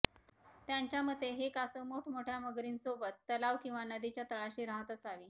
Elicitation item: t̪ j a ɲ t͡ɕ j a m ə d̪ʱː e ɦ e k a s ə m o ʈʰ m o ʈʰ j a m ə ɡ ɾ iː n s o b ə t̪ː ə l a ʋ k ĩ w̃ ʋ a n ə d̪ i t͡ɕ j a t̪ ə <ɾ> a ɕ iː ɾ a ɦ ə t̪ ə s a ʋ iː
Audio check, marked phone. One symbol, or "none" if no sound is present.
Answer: ɭ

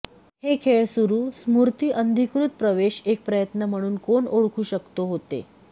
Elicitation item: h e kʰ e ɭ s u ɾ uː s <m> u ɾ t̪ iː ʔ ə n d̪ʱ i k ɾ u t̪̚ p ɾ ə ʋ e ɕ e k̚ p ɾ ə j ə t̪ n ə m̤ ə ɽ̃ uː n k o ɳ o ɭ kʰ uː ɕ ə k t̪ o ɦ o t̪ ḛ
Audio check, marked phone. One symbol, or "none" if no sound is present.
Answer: m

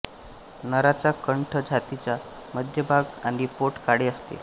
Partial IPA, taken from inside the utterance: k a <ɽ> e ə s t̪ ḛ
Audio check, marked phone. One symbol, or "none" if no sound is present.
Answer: ɽ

